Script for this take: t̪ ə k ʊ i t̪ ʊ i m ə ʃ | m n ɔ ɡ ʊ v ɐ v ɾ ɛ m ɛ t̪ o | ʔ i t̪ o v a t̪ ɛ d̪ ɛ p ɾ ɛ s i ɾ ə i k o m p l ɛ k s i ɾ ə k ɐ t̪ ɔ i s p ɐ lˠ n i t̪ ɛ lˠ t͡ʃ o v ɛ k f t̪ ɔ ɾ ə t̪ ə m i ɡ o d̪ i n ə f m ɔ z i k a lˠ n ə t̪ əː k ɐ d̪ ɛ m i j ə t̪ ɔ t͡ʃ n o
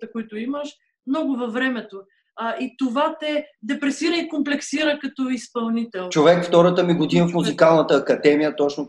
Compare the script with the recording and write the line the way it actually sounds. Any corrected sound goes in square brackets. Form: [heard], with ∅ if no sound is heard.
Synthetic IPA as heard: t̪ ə k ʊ i t̪ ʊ i m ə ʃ | m n ɔ ɡ ʊ v ɐ v ɾ ɛ m ɛ t̪ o | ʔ i t̪ o v a t̪ ɛ d̪ ɛ p ɾ ɛ s i ɾ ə i k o m p l ɛ k s i ɾ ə k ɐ t̪ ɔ i s p ɐ lˠ n i t̪ ɛ lˠ t͡ʃ o v ɛ k f t̪ ɔ ɾ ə t̪ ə m i ɡ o d̪ i n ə f m [u] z i k a lˠ n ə t̪ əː k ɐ d̪ ɛ m i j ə t̪ ɔ t͡ʃ n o